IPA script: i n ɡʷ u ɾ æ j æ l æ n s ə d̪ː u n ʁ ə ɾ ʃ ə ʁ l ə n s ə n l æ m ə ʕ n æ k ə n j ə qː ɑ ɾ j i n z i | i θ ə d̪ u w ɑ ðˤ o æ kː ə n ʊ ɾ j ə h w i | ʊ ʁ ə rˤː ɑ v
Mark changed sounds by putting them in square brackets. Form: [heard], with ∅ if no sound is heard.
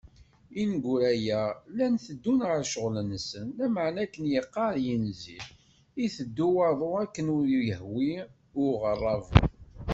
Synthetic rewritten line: i n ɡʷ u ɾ æ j æ l æ n [θ] ə d̪ː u n ʁ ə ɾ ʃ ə ʁ l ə n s ə n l æ m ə ʕ n æ k ə n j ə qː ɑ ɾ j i n z i | i θ ə [d̪ː] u w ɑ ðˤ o æ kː ə n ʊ ɾ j ə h w i | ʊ ʁ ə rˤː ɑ v